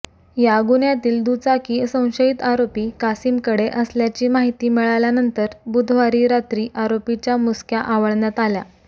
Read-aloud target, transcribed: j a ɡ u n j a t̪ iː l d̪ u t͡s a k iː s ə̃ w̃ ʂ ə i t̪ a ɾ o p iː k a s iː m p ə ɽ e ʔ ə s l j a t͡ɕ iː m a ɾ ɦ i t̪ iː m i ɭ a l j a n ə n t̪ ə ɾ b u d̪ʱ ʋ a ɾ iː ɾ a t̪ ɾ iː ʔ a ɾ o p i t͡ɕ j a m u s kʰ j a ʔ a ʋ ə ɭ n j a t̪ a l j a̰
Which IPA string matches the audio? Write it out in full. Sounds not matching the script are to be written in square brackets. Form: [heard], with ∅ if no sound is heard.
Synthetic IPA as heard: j a ɡ u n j a t̪ iː l d̪ u t͡s a k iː s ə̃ w̃ [ɕ] ə i t̪ a ɾ o p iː k a s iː m [k] ə ɽ e ʔ ə s l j a t͡ɕ iː m a [∅] ɦ i t̪ iː m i ɭ a l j a n ə n t̪ ə ɾ b u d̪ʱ ʋ a ɾ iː ɾ a t̪ ɾ iː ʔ a ɾ o p i t͡ɕ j a m u s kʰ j a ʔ a ʋ ə ɭ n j a t̪ a l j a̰